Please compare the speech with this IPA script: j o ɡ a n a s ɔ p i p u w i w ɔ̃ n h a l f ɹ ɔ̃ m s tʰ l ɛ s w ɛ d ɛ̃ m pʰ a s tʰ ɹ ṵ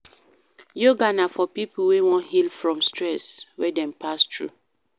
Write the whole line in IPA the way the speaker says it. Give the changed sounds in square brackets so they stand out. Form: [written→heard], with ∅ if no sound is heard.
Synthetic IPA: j o ɡ a n a [s→f] ɔ p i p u w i w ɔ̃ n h [a→i] l f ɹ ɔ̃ m s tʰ [l→ɹ] ɛ s w ɛ d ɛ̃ m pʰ a s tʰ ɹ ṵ